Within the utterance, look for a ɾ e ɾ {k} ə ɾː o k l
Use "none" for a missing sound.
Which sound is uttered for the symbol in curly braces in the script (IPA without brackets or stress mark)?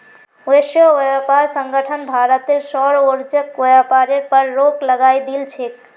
p